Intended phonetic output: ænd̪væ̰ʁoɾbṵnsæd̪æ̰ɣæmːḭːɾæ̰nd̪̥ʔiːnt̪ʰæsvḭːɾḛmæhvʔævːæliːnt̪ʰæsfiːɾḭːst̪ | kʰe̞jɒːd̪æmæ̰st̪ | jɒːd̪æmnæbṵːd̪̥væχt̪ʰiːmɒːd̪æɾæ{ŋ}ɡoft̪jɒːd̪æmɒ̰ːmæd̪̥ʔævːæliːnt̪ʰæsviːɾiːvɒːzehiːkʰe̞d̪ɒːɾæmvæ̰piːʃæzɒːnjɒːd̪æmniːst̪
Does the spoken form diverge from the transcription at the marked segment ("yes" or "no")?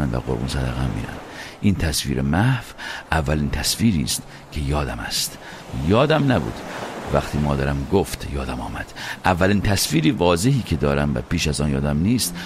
yes